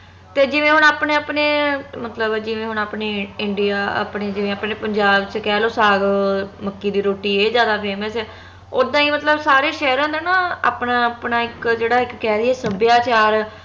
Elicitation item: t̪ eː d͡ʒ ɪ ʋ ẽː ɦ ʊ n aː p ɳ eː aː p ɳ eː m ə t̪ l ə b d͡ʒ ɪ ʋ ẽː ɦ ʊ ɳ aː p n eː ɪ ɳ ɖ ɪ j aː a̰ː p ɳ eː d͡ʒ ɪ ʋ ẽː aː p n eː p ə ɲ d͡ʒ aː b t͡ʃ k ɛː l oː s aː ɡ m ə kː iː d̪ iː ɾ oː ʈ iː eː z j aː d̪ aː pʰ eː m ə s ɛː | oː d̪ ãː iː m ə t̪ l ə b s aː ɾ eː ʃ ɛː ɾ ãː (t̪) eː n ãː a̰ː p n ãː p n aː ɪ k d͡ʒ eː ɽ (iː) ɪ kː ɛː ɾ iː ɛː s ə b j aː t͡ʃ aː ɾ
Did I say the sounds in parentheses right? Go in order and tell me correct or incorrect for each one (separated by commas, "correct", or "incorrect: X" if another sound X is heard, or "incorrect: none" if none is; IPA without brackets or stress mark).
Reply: incorrect: d̪, incorrect: aː